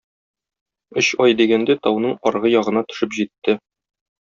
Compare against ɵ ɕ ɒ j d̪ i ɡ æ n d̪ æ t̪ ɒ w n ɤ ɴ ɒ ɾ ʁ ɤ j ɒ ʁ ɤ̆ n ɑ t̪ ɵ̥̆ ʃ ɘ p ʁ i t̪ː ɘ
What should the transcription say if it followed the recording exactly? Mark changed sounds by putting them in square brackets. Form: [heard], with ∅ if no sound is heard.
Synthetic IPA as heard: ɵ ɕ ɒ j d̪ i ɡ æ n d̪ æ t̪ ɒ w n ɤ ɴ ɒ ɾ ʁ ɤ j ɒ ʁ ɤ̆ n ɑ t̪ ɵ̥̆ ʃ ɘ p [ʑ] i t̪ː ɘ